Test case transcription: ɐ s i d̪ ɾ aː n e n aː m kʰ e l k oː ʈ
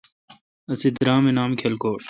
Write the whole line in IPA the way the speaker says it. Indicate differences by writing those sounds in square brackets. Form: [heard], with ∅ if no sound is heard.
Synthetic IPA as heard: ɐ s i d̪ ɾ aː [m] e n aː m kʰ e l k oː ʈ